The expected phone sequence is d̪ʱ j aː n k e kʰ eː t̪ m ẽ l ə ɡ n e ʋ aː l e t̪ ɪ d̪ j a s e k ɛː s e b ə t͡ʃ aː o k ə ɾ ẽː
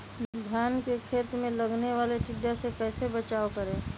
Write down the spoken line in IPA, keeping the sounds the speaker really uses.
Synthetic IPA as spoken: d̪ʱ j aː n k e kʰ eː t̪ m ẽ l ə ɡ n e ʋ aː l e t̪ ɪ d̪ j a s e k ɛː s e b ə t͡ʃ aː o k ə ɾ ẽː